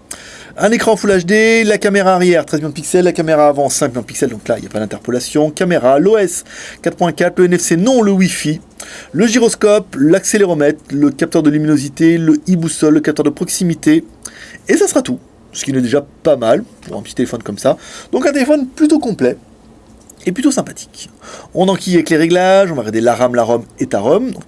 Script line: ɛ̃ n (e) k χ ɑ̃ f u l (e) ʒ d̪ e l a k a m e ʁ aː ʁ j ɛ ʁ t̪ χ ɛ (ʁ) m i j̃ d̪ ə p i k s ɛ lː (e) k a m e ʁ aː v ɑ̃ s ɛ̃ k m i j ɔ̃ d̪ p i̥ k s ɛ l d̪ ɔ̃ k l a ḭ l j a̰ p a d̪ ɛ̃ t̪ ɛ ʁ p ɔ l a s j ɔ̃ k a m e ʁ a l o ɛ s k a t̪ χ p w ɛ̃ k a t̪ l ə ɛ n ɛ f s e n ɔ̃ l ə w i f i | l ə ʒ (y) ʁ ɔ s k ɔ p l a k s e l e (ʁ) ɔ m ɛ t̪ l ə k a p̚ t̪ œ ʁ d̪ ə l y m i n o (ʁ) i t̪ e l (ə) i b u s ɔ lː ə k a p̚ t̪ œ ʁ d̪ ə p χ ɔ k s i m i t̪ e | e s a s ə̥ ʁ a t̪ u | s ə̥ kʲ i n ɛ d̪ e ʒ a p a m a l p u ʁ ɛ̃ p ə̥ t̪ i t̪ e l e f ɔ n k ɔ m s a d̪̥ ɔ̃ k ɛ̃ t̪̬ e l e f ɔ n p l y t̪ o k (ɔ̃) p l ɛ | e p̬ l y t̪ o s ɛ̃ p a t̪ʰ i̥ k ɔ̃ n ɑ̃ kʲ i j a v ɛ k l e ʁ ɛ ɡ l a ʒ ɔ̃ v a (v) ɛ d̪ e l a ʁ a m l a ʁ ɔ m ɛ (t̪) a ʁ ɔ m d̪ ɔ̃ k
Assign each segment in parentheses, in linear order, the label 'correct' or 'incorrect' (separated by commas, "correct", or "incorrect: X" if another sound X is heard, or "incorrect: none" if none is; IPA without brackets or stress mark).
correct, incorrect: a, incorrect: z, incorrect: a, incorrect: i, correct, incorrect: z, correct, correct, incorrect: ʁ, correct